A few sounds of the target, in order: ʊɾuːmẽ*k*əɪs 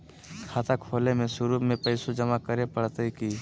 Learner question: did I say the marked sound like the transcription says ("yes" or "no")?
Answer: no